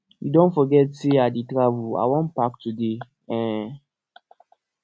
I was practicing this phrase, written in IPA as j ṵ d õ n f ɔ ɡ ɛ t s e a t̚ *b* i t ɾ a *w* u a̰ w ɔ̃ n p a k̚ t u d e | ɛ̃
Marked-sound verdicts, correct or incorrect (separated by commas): incorrect, incorrect